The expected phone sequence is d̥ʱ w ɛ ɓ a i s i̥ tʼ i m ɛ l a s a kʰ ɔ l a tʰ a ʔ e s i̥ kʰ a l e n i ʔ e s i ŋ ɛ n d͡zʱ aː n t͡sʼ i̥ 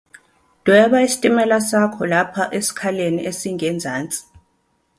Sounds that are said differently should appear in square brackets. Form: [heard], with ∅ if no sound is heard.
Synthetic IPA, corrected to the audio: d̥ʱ w ɛ ɓ a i s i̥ tʼ i m ɛ l a s a kʰ ɔ l a [pʰ] a ʔ e s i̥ kʰ a l e n i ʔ e s i ŋ ɛ n d͡zʱ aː n t͡sʼ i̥